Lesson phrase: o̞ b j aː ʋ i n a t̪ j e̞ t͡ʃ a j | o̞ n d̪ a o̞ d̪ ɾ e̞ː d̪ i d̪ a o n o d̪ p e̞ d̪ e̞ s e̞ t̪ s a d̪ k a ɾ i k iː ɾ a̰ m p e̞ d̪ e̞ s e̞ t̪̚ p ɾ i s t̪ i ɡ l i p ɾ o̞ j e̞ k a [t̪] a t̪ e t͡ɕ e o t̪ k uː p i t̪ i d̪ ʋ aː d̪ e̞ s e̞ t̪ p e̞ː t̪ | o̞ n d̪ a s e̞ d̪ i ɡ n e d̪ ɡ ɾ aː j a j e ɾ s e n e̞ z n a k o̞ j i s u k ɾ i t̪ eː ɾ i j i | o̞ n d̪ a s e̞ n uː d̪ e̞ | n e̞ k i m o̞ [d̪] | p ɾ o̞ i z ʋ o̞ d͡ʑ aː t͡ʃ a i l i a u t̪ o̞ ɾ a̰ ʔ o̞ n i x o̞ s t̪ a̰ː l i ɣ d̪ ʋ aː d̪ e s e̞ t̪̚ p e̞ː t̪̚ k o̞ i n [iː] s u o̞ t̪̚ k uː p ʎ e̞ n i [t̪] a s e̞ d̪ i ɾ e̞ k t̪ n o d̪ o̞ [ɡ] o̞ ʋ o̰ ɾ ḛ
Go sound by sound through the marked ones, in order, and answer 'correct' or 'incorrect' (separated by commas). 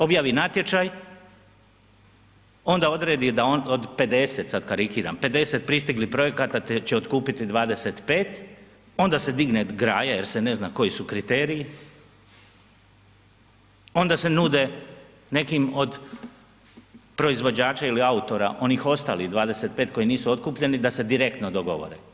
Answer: correct, correct, correct, incorrect, correct